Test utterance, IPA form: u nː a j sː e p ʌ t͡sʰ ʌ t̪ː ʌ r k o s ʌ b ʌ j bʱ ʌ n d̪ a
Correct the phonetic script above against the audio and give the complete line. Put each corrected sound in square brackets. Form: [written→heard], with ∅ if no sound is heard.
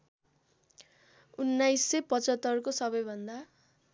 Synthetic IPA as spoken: u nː a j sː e p ʌ [t͡sʰ→t͡s] ʌ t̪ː ʌ r k o s ʌ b ʌ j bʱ ʌ n d̪ a